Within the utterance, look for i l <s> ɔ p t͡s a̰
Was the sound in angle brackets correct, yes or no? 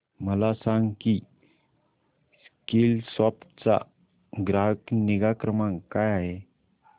yes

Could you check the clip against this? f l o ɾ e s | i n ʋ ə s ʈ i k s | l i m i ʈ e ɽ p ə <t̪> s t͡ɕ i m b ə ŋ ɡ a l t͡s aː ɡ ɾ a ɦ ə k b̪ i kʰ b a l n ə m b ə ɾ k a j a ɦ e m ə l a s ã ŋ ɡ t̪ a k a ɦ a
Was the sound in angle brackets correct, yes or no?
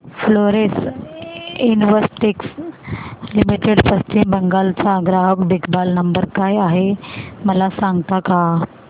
no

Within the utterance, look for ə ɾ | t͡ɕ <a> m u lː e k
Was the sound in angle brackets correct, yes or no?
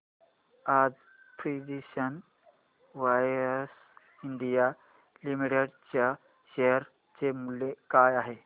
no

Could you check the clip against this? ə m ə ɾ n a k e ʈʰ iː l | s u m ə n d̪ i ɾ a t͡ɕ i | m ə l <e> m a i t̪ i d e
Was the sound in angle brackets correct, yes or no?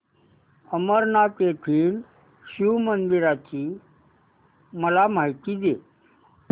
no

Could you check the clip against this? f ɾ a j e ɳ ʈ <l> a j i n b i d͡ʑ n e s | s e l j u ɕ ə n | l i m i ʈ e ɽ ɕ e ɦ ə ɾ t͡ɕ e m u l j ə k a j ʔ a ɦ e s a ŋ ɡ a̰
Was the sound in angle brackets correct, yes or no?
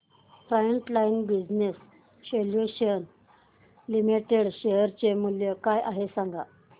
yes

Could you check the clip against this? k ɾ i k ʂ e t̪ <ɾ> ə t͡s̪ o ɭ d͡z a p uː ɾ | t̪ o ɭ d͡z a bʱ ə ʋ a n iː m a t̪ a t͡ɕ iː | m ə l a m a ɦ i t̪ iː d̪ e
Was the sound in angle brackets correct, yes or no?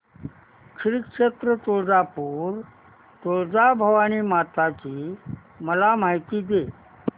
yes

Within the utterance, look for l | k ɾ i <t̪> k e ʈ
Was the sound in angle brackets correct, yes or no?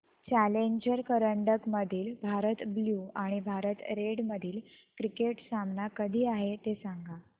no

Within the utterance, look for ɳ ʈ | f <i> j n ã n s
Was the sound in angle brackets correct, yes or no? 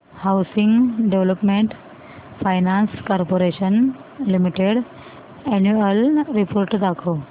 no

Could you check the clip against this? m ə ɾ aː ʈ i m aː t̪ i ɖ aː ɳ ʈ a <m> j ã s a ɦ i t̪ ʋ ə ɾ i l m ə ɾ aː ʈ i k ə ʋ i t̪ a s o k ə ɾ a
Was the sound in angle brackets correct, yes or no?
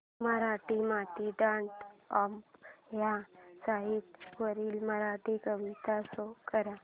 yes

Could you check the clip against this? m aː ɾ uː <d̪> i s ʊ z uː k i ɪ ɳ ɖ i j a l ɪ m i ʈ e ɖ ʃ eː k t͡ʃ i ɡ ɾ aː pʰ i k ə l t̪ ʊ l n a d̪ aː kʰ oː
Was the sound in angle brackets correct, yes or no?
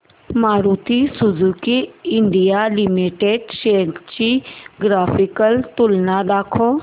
no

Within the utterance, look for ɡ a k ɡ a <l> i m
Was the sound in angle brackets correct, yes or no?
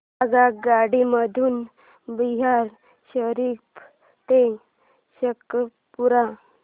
no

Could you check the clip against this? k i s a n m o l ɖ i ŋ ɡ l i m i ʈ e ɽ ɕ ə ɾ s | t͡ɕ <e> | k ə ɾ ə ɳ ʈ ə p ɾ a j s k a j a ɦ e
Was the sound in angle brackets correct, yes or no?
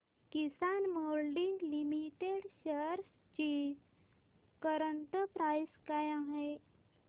no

